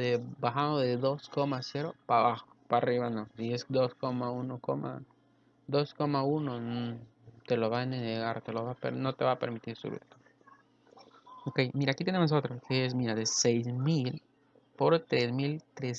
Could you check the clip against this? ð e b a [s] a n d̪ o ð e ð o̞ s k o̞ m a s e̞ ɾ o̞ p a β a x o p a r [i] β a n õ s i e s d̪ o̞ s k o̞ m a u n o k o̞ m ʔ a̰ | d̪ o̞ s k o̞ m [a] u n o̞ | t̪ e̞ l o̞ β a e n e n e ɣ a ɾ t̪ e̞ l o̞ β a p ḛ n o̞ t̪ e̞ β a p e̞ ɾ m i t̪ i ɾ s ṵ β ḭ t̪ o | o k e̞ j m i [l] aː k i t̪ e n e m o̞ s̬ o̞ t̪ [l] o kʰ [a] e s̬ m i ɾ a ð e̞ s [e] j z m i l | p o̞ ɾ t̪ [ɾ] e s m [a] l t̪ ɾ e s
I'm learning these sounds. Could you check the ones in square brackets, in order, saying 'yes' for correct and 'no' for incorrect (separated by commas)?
no, yes, yes, no, no, no, yes, yes, no